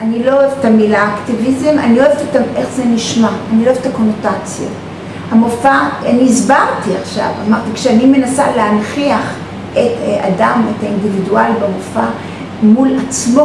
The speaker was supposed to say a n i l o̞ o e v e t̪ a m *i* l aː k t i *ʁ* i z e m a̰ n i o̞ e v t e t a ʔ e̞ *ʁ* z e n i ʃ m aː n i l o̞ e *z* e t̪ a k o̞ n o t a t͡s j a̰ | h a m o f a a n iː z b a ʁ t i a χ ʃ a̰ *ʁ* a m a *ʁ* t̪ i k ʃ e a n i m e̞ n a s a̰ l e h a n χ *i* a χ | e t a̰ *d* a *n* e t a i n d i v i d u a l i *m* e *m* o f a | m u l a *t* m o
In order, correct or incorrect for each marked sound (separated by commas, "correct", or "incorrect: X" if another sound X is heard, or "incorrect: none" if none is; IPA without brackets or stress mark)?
correct, incorrect: v, incorrect: χ, incorrect: v, incorrect: v, correct, correct, correct, incorrect: m, incorrect: b, correct, incorrect: t͡s